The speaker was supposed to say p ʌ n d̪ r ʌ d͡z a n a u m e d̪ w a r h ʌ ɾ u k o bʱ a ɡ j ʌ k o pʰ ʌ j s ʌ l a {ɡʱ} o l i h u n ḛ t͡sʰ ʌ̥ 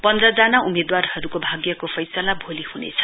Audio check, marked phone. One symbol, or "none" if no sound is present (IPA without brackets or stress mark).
bʱ